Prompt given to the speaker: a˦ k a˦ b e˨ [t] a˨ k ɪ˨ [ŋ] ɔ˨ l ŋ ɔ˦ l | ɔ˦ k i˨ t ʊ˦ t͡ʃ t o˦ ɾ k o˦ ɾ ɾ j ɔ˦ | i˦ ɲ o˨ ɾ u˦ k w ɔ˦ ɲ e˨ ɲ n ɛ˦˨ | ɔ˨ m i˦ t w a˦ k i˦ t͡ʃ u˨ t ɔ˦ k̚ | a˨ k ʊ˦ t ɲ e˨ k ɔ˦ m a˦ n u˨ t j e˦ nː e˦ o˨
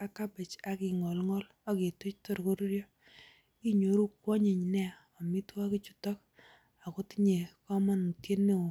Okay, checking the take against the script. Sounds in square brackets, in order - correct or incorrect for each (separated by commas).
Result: incorrect, correct